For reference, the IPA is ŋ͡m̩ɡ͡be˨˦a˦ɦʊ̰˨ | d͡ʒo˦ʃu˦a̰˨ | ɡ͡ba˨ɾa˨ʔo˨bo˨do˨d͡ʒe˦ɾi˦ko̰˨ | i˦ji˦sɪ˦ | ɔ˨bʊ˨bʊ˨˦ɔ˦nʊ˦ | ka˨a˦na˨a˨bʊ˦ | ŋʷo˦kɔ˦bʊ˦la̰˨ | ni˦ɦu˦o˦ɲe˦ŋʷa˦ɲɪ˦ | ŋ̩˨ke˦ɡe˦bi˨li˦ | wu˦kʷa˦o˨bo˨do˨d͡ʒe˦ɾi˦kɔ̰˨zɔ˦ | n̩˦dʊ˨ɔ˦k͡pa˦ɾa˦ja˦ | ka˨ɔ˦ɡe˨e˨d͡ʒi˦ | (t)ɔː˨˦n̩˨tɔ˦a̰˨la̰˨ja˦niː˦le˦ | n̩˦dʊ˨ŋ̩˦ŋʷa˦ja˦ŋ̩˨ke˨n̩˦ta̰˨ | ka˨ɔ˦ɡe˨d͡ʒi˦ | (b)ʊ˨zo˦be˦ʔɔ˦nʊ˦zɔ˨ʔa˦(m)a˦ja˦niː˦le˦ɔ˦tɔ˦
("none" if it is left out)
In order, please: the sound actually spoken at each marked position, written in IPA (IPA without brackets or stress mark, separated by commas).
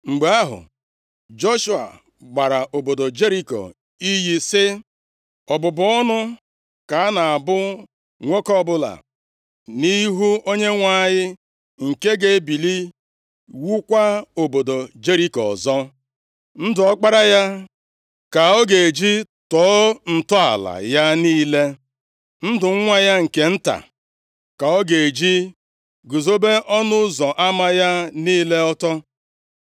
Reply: t, ɡ, m